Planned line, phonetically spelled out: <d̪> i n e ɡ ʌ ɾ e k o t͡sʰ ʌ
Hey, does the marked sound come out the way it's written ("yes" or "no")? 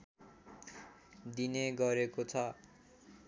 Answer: yes